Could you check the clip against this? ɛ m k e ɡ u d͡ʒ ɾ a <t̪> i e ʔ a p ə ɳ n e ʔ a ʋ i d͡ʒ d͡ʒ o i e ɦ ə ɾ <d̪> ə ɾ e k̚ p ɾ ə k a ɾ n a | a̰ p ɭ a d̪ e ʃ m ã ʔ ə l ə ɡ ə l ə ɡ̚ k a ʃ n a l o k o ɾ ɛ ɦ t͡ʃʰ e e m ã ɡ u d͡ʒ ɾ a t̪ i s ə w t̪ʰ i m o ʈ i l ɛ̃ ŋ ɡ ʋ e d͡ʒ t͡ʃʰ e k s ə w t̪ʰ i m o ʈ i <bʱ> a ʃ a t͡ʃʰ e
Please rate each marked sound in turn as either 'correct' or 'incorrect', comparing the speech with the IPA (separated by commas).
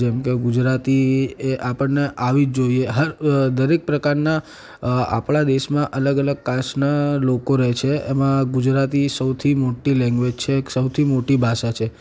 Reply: correct, correct, correct